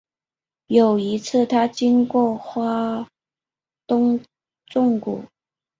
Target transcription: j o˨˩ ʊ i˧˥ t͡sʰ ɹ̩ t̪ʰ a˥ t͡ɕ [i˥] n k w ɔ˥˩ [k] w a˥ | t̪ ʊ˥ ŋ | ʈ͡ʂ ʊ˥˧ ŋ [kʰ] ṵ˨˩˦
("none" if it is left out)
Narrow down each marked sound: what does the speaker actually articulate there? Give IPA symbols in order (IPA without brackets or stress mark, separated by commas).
i˥, x, k